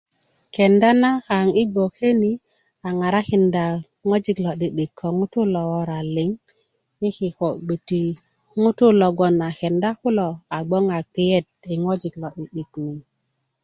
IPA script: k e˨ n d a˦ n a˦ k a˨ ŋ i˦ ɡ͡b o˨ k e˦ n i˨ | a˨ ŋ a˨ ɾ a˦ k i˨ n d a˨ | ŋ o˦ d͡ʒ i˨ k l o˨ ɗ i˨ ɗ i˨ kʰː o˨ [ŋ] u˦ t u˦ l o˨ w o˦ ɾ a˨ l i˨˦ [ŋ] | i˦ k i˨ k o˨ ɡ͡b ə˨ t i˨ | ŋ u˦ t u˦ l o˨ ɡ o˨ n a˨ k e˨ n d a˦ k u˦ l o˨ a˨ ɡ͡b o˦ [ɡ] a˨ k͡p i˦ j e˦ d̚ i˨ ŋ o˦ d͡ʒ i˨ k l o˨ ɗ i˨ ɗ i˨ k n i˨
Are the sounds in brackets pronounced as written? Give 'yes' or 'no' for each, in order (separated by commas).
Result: yes, yes, no